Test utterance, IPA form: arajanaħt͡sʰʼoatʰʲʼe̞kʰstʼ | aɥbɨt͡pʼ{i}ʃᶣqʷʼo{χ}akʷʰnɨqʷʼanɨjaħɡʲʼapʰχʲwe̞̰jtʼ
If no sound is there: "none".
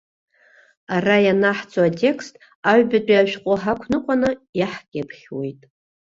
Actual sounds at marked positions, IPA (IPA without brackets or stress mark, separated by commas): a, ħ